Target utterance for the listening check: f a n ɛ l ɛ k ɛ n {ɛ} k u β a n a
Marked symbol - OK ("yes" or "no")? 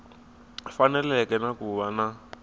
no